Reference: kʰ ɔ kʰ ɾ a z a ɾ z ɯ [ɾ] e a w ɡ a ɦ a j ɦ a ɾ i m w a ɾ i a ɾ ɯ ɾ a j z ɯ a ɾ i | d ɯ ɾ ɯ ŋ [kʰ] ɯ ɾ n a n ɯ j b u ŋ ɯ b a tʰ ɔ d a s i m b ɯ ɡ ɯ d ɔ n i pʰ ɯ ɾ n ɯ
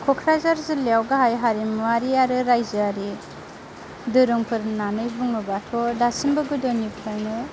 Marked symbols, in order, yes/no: no, no

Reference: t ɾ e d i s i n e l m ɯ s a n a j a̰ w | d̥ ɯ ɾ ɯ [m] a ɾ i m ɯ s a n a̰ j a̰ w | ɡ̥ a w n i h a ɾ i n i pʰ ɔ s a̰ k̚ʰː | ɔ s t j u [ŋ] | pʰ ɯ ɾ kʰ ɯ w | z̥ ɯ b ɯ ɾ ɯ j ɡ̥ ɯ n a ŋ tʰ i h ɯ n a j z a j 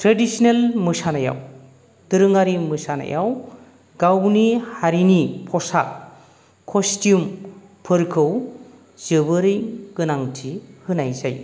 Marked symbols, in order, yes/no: no, no

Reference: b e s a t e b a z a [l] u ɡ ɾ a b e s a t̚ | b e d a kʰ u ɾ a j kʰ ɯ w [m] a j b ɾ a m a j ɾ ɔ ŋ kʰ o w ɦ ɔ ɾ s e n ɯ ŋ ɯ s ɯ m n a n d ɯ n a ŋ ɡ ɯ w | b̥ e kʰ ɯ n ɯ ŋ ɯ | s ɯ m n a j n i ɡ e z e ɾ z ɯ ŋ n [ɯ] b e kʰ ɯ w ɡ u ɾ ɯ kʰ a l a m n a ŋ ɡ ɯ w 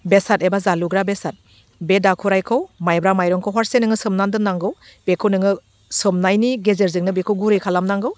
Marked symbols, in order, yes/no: yes, yes, yes

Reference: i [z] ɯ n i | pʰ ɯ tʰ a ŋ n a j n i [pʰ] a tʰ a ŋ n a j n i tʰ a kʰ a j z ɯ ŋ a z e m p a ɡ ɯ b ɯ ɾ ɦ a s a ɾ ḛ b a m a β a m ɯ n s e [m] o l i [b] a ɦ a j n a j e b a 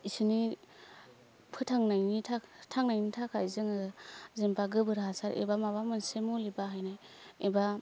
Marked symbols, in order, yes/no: no, no, yes, yes

